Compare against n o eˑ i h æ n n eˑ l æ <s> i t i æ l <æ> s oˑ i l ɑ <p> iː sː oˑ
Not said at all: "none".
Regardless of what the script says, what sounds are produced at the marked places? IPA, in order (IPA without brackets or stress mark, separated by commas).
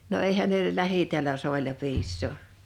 h, æ, p